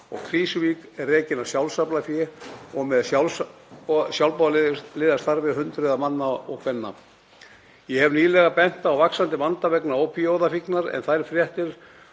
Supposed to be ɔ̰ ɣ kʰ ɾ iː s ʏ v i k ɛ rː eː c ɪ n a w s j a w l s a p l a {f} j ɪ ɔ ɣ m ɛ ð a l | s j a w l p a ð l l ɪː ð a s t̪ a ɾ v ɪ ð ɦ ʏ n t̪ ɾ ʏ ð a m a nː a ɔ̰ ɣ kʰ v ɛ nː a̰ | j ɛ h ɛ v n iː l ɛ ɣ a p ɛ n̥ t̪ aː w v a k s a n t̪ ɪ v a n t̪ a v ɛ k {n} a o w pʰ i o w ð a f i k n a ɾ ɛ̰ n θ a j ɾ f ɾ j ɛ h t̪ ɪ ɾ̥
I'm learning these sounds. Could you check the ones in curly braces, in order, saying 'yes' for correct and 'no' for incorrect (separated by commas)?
yes, yes